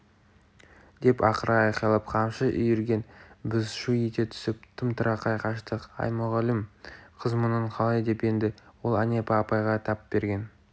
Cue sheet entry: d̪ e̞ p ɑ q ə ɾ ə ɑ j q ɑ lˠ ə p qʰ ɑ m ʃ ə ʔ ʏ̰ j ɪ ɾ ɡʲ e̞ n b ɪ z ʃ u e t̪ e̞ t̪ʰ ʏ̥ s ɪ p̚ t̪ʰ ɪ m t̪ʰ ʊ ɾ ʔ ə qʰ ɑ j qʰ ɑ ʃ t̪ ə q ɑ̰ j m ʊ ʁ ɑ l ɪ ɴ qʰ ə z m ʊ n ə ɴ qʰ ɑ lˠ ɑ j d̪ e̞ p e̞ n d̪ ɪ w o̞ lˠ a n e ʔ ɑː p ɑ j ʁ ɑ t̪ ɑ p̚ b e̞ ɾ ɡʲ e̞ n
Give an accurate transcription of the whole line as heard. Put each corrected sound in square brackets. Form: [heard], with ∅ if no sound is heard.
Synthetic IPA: d̪ e̞ p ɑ q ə ɾ [ɑ] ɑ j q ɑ lˠ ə p qʰ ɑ m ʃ ə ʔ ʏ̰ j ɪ ɾ ɡʲ e̞ n b ɪ z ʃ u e t̪ e̞ t̪ʰ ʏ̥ s ɪ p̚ t̪ʰ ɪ m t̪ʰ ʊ ɾ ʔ [ɑ] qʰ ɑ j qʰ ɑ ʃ t̪ ə q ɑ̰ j m ʊ ʁ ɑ l ɪ [m] qʰ ə z m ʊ n ə ɴ qʰ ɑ lˠ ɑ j d̪ e̞ p e̞ n d̪ ɪ w o̞ lˠ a n e [p] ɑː p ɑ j ʁ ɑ [t̪ʰ] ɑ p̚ b e̞ ɾ ɡʲ e̞ n